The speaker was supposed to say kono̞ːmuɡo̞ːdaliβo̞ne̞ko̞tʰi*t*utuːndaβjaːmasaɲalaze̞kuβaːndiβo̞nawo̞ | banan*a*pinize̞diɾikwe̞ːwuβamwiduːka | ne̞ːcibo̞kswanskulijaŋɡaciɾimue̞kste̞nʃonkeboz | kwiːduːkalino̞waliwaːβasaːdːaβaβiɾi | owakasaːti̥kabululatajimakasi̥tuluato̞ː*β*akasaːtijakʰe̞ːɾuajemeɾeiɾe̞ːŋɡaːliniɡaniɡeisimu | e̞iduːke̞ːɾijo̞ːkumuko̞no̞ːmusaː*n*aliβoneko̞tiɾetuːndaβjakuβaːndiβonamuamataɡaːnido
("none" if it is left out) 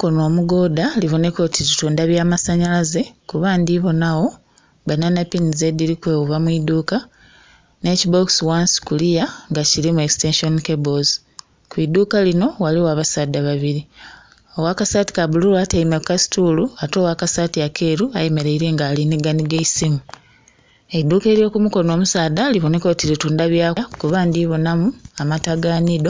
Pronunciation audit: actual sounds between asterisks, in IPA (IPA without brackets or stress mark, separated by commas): t, a, w, d